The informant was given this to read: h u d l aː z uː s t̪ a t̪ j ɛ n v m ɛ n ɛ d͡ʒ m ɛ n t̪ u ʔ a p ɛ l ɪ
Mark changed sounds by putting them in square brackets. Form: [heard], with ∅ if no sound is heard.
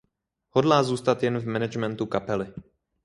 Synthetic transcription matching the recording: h [o] d l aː z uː s t̪ a t̪ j ɛ n v m ɛ n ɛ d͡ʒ m ɛ n t̪ u [k] a p ɛ l ɪ

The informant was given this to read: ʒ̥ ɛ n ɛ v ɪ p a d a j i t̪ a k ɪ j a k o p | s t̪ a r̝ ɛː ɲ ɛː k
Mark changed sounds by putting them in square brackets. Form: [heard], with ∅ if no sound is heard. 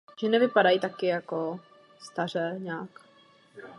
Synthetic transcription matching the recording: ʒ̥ ɛ n ɛ v ɪ p a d a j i t̪ a k ɪ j a k o [∅] | s t̪ a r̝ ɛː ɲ [aː] k

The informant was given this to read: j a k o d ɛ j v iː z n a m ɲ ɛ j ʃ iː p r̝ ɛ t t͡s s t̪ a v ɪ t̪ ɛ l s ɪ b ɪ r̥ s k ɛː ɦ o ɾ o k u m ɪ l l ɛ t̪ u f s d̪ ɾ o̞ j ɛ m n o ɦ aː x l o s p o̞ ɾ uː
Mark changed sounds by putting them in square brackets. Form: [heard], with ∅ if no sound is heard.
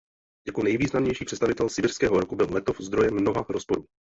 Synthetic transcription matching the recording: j a k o [n] ɛ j v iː z n a m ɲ ɛ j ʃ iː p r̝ ɛ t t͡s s t̪ a v ɪ t̪ ɛ l s ɪ b ɪ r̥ s k ɛː ɦ o ɾ o k u [b] ɪ l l ɛ t̪ [o] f [z] d̪ ɾ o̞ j ɛ m n o ɦ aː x [ɾ] o s p o̞ ɾ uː

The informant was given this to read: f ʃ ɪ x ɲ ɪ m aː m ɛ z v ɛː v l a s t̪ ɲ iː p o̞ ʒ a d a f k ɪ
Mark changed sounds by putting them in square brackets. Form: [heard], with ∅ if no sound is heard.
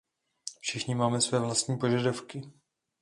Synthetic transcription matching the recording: f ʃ ɪ x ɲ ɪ m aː m ɛ [s] v ɛː v l a s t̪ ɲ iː p o̞ ʒ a d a f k ɪ

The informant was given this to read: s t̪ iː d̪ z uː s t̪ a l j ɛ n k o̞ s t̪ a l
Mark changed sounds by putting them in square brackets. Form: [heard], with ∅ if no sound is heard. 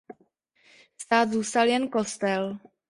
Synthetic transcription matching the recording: s t̪ [aː] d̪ z uː s t̪ a l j ɛ n k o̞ s t̪ [ɛ] l

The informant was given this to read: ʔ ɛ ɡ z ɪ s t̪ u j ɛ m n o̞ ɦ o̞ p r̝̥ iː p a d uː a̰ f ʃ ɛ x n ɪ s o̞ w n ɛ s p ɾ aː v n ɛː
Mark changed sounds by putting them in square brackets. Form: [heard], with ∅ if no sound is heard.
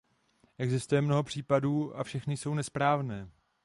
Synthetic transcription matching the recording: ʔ ɛ ɡ z ɪ s t̪ u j ɛ m n o̞ ɦ o̞ p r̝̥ iː p a d uː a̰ f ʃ ɛ x n ɪ s o̞ w n ɛ s p ɾ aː v n ɛː

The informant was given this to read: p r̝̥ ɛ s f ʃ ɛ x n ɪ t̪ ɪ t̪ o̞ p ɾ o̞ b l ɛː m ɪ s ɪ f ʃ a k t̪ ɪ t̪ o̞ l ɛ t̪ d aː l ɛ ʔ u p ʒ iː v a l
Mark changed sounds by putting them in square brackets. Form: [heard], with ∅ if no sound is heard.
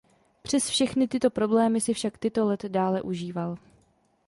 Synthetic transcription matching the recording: p r̝̥ ɛ s f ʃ ɛ x n ɪ t̪ ɪ t̪ o̞ p ɾ o̞ b l ɛː m ɪ s ɪ f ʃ a k t̪ ɪ t̪ o̞ l ɛ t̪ d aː l ɛ ʔ u [∅] ʒ iː v a l

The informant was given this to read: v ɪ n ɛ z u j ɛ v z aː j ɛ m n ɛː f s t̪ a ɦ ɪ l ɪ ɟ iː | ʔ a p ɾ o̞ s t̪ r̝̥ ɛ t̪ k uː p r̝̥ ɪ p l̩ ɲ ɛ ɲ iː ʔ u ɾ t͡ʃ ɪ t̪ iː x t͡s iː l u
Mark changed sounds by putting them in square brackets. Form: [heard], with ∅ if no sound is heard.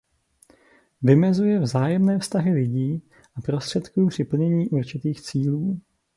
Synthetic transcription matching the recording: v ɪ [m] ɛ z u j ɛ v z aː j ɛ m n ɛː f s t̪ a ɦ ɪ l ɪ ɟ iː | ʔ a p ɾ o̞ s t̪ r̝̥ ɛ t̪ k uː p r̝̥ ɪ p l̩ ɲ ɛ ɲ iː ʔ u ɾ t͡ʃ ɪ t̪ iː x t͡s iː l [uː]

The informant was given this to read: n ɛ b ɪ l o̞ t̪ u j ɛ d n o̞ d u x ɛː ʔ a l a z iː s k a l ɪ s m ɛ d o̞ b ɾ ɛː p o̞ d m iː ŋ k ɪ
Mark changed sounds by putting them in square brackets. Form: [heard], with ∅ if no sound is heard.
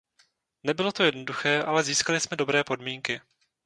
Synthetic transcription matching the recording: n ɛ b ɪ l o̞ t̪ [o] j ɛ d n o̞ d u x ɛː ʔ a l [ɛ] z iː s k a l ɪ s m ɛ d o̞ b ɾ ɛː p o̞ d m iː ŋ k ɪ

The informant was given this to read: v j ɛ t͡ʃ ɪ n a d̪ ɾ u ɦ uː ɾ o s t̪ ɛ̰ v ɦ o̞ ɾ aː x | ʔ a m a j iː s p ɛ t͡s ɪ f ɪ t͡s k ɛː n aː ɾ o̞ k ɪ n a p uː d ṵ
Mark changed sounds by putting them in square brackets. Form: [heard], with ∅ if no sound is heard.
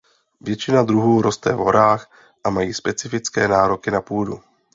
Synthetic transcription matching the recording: v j ɛ t͡ʃ ɪ n a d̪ ɾ u ɦ uː ɾ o s t̪ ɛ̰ v ɦ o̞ ɾ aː x | ʔ a m a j iː s p ɛ t͡s ɪ f ɪ t͡s k ɛː n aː ɾ o̞ k ɪ n a p uː d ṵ

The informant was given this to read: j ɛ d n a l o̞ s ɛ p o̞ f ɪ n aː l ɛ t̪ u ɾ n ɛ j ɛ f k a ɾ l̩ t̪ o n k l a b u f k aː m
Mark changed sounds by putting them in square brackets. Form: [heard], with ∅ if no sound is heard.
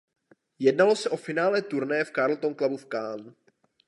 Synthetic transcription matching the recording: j ɛ d n a l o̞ s ɛ [ʔ] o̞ f ɪ n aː l ɛ t̪ u ɾ n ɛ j ɛ f k a ɾ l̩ t̪ o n k l a b u f k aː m

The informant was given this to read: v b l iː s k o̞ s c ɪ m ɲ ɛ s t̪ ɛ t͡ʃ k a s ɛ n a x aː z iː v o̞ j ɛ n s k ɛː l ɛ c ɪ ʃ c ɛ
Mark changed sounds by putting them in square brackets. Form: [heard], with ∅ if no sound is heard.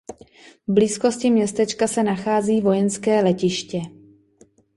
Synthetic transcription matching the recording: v b l iː s k o̞ s c ɪ m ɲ ɛ s t̪ ɛ t͡ʃ k a s ɛ n a x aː z iː v o̞ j ɛ n s k ɛː l ɛ c ɪ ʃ c ɛ

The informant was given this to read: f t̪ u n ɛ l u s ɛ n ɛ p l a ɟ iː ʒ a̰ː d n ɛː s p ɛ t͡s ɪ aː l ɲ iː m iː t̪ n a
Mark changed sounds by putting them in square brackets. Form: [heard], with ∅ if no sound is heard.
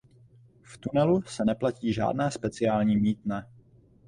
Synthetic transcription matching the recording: f t̪ u n ɛ l u s ɛ n ɛ p l a [c] iː ʒ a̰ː d n ɛː s p ɛ t͡s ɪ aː l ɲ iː m iː t̪ n [ɛ]

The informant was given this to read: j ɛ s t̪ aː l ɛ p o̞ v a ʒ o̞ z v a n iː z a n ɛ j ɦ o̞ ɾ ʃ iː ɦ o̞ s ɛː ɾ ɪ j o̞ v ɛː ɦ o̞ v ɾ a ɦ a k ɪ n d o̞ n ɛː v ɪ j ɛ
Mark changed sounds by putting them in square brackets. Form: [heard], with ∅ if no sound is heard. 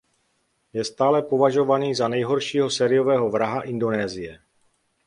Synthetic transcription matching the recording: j ɛ s t̪ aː l ɛ p o̞ v a ʒ o̞ [∅] v a n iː z a n ɛ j ɦ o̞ ɾ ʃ iː ɦ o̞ s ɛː ɾ ɪ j o̞ v ɛː ɦ o̞ v ɾ a ɦ a [ʔ] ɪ n d o̞ n ɛː [z] ɪ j ɛ

